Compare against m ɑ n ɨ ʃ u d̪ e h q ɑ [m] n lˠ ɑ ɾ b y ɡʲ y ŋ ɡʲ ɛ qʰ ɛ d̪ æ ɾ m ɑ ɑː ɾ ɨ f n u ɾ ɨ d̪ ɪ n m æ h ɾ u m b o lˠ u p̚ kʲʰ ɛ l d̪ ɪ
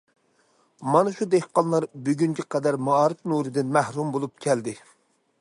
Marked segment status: incorrect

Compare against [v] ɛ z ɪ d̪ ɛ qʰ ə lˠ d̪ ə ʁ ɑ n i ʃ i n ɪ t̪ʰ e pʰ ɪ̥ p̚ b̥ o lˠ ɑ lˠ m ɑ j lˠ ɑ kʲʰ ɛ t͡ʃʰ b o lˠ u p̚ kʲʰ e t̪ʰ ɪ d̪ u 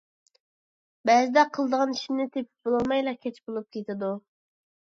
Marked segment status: incorrect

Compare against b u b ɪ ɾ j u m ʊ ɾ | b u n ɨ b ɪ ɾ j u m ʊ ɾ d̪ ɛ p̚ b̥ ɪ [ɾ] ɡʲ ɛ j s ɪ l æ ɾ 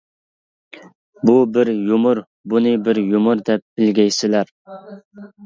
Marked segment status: incorrect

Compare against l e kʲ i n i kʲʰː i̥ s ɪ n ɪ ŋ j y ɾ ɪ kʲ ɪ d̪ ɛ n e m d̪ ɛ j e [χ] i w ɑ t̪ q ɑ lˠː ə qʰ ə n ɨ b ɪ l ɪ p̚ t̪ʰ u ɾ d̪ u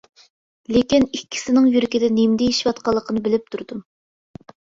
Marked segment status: incorrect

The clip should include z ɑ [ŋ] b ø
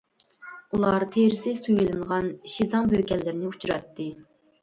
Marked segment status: correct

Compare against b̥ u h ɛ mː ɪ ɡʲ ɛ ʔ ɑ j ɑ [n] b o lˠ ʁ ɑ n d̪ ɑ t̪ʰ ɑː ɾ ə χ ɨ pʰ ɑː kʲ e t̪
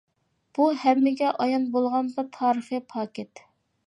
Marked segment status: correct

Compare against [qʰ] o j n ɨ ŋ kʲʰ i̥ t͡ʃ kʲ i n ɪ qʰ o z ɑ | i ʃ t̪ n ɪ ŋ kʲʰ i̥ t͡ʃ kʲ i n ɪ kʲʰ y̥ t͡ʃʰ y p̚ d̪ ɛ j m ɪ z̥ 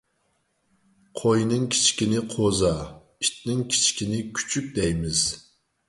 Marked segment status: correct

